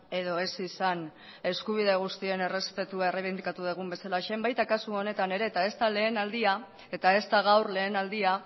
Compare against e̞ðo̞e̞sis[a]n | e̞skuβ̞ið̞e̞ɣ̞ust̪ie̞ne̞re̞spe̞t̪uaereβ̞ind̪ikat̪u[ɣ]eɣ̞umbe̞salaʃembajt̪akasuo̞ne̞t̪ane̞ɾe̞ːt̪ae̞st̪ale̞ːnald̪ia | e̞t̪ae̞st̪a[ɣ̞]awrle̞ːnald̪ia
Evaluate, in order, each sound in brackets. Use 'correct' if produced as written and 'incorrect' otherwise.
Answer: correct, incorrect, correct

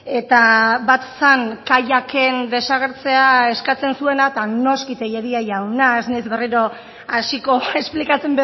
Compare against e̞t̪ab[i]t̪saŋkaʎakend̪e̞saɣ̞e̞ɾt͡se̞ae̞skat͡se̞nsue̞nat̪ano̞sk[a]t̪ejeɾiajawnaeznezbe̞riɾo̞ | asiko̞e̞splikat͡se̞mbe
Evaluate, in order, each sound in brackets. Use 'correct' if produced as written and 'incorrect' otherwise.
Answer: incorrect, incorrect

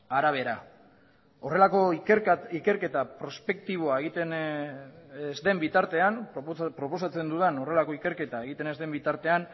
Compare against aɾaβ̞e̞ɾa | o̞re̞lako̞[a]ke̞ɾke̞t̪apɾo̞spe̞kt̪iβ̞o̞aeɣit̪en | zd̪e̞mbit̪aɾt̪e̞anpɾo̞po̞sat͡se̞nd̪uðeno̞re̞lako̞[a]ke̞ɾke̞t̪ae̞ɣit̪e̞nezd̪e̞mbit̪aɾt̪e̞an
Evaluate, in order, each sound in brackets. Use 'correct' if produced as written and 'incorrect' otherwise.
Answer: incorrect, incorrect

